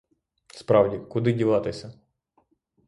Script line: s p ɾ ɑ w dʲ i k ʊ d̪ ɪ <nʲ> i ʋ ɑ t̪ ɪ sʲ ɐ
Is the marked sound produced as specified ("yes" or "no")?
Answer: no